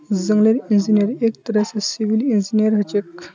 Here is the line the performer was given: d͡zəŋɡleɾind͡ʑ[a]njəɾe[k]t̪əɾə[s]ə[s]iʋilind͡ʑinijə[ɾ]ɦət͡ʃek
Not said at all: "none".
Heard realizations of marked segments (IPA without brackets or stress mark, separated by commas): i, k, s, s, ɾ